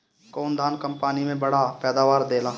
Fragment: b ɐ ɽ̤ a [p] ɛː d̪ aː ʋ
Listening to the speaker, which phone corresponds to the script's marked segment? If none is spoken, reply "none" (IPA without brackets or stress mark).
p